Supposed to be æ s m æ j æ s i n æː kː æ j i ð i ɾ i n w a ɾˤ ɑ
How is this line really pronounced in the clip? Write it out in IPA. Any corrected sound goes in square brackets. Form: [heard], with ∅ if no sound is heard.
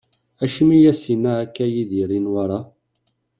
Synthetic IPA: æ [ʃ] m [i] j æ s i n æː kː æ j i ð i ɾ i n w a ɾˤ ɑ